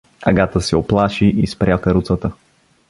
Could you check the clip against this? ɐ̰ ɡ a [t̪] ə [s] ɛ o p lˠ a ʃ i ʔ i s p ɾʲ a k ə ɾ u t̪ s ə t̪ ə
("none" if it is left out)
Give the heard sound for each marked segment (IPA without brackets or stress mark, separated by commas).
t̪, s